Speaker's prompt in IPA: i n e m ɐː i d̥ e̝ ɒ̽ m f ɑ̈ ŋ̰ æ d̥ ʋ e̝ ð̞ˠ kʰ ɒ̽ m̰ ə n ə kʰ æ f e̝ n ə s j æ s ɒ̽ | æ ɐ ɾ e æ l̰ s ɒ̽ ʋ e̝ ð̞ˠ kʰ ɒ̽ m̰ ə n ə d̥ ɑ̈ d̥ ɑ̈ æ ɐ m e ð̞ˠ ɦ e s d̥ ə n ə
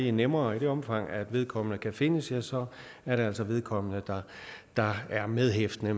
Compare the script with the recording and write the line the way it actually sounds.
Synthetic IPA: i n e m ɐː i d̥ e̝ ɒ̽ m f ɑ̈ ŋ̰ æ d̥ ʋ e̝ ð̞ˠ kʰ ɒ̽ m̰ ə n ə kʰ æ f e̝ n ə s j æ s ɒ̽ | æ ɐ ɾ e æ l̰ s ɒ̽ ʋ e̝ ð̞ˠ kʰ ɒ̽ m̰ ə n ə d̥ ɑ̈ d̥ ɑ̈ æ ɐ m e ð̞ˠ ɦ e f d̥ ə n ə